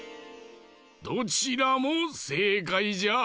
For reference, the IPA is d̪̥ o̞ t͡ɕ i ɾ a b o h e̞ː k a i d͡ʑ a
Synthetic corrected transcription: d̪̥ o̞ t͡ɕ i ɾ a m o s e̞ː k a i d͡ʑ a

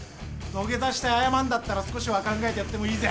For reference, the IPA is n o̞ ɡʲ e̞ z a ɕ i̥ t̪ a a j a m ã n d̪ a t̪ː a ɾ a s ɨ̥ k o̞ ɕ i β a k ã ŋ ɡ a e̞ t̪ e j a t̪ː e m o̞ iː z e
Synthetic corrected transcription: n o̞ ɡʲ e̞ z a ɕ i̥ t̪ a a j a m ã n d̪ a t̪ː a ɾ a s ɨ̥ k o̞ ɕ i β a k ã ŋ ɡ a e̞ t̪ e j a t̪ː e m o̞ iː z e

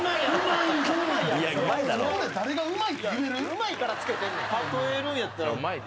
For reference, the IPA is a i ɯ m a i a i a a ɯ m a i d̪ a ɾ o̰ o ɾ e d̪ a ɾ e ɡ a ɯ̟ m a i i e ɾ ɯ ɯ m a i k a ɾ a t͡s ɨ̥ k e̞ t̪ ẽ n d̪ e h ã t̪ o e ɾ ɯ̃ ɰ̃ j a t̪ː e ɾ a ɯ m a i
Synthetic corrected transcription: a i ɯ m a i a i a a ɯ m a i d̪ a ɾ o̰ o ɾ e d̪ a ɾ e ɡ a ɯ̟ m a i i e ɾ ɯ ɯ m a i k a ɾ a t͡s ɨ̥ k e̞ t̪ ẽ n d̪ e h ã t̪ o e ɾ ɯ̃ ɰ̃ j a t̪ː a ɾ a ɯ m a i

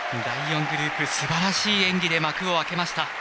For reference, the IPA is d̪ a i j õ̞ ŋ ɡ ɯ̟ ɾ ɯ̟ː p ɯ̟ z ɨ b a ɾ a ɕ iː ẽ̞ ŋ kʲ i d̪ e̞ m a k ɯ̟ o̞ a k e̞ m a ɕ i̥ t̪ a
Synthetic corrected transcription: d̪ a i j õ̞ ŋ ɡ ɯ̟ ɾ ɯ̟ː p ɯ̟ s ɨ b a ɾ a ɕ iː ẽ̞ ŋ ɡʲ i d̪ e̞ m a k ɯ̟ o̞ a k e̞ m a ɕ i̥ t̪ a

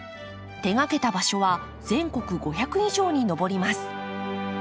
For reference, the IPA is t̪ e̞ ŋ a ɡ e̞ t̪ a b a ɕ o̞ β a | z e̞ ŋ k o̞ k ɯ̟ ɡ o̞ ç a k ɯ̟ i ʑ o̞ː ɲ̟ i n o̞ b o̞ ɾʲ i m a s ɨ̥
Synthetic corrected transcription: t̪ e̞ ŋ a k e̞ t̪ a b a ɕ o̞ β a | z ẽ̞ ŋ k o̞ k ɯ̟ ɡ o̞ ç a k ɯ̟ i ʑ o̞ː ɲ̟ i n o̞ b o̞ ɾʲ i m a s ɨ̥

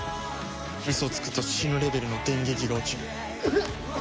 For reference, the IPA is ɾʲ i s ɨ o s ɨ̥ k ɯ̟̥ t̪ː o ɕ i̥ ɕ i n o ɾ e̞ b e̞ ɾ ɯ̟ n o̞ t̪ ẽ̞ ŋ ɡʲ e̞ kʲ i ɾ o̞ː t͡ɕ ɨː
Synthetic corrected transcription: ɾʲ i s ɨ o t͡s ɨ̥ k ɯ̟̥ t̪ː o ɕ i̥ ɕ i n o ɾ e̞ b e̞ ɾ ɯ̟ n o̞ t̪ ẽ̞ ŋ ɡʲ e̞ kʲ i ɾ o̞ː t͡ɕ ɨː

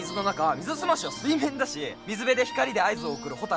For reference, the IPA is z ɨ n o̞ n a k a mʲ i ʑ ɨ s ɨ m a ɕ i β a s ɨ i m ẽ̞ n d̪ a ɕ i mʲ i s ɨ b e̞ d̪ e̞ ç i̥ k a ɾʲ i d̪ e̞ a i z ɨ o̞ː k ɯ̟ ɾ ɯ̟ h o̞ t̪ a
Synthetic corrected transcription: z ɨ n o̞ n a k a mʲ i z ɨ s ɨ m a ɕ i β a s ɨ i m ẽ̞ n d̪ a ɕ i mʲ i z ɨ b e̞ d̪ e̞ ç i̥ k a ɾʲ i d̪ e̞ a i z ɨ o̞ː k ɯ̟ ɾ ɯ̟ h o̞ t̪ a

